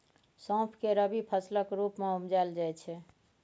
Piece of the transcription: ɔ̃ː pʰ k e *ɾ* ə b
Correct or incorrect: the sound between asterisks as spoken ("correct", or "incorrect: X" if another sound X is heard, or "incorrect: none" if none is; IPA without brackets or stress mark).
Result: correct